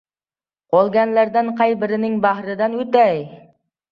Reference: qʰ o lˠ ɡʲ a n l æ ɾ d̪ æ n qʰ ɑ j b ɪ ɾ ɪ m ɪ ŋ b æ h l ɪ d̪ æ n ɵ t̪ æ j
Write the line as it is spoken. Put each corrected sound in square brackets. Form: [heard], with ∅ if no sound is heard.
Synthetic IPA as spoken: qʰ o lˠ ɡʲ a n l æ ɾ d̪ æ n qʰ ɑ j b ɪ ɾ ɪ [n] ɪ ŋ b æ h [ɾ] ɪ d̪ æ n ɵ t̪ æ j